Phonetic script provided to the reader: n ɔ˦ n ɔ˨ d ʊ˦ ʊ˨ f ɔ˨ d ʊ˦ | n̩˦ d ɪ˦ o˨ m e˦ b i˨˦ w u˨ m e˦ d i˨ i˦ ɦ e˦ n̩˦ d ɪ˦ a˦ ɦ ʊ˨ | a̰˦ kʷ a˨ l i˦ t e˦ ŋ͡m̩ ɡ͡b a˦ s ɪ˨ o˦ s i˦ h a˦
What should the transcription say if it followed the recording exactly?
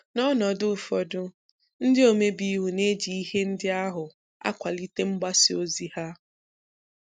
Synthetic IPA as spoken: n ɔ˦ n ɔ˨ d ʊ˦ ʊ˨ f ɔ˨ d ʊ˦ | n̩˦ d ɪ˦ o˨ m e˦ b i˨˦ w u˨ n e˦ d͡ʒ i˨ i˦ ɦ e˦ n̩˦ d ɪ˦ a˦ ɦ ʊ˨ | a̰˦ kʷ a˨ l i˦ t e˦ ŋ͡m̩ ɡ͡b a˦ s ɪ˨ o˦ z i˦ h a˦

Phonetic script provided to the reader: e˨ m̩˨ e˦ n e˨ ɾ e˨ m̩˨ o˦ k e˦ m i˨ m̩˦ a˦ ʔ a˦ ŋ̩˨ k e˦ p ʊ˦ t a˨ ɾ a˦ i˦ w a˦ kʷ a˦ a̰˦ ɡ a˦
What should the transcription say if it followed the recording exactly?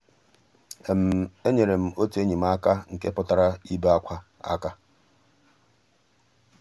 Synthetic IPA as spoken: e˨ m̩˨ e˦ ɲ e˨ ɾ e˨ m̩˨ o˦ t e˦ ɲ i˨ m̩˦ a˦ k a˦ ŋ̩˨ k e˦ p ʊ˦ t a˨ ɾ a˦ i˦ b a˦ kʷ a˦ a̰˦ k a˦

